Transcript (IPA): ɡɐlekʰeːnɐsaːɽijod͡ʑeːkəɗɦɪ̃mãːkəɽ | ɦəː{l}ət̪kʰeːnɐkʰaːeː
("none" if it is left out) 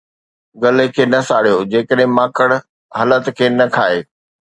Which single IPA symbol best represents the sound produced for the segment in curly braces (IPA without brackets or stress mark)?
l